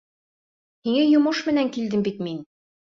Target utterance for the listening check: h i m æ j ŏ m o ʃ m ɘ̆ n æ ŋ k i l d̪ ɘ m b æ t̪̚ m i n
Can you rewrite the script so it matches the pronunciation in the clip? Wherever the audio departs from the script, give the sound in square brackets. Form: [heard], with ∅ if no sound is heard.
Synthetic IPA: h i [ŋ] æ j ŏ m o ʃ m ɘ̆ n æ ŋ k i l d̪ ɘ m b [i] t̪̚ m i n